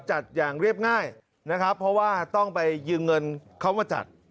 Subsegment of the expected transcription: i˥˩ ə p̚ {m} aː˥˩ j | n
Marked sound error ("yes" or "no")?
yes